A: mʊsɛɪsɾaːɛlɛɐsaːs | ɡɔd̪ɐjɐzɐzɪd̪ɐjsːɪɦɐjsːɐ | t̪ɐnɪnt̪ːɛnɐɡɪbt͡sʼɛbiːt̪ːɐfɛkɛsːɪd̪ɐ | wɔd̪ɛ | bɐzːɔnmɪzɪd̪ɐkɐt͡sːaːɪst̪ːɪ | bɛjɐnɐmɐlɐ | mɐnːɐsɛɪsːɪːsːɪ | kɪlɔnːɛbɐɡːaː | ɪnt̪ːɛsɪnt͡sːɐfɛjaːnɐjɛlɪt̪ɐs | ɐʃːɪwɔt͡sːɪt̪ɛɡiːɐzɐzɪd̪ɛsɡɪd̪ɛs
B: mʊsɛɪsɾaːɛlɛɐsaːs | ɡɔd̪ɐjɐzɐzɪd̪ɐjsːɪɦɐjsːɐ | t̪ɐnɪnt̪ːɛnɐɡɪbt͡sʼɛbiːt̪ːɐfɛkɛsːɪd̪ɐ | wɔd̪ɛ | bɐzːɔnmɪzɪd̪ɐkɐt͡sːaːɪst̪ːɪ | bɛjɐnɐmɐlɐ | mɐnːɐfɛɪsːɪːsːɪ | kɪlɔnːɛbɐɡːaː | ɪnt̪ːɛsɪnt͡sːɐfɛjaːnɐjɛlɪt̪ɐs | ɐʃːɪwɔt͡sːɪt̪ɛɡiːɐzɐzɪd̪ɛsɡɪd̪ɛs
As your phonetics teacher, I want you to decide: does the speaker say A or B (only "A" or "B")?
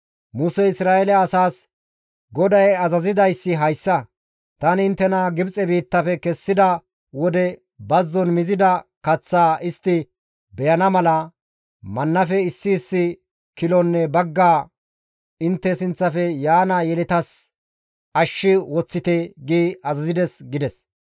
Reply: B